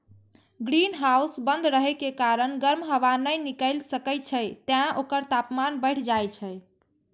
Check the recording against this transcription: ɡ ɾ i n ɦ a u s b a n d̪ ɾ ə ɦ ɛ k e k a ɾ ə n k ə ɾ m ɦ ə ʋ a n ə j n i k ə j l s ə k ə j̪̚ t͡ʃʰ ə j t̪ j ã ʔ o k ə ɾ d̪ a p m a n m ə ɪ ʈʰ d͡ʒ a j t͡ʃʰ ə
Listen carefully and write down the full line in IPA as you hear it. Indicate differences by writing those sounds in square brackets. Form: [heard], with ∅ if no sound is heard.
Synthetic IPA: ɡ ɾ i n ɦ a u s b [ə] n d̪ ɾ ə ɦ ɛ k e k a ɾ ə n [ɡ] ə ɾ m ɦ ə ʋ a n ə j n i k ə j l s ə k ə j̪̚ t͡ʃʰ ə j t̪ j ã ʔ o k ə ɾ [t̪] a p m a n [b] ə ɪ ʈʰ d͡ʒ a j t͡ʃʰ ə